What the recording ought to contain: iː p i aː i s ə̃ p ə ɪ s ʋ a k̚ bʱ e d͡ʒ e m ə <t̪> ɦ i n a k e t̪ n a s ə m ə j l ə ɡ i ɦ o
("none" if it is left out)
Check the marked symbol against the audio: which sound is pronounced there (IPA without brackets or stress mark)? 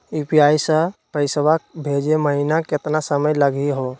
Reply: none